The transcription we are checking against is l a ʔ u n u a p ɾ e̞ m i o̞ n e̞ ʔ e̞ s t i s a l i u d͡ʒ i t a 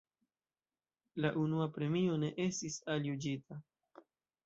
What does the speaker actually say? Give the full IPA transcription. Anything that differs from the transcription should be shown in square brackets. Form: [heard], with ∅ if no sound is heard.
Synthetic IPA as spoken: l a ʔ u n u a p ɾ e̞ m i o̞ n e̞ ʔ e̞ s t i s a l [j] u d͡ʒ i t a

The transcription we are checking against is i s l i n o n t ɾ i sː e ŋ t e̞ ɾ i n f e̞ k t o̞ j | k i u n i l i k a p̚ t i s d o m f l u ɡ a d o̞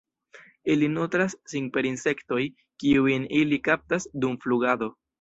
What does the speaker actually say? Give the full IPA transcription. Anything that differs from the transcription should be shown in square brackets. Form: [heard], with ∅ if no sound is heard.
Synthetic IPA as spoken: i [∅] l i n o [∅] t ɾ [a] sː [i] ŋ [p] e̞ ɾ i n [s] e̞ k t o̞ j | k i u n i l i k a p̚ t [a] s d [u] m f l u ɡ a d o̞

